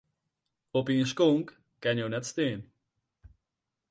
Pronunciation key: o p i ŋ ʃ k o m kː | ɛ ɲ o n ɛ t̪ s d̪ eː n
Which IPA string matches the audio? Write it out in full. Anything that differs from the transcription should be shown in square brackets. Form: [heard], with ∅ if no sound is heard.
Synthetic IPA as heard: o p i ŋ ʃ k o [ŋ] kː | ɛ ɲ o n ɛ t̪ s [t̪] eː n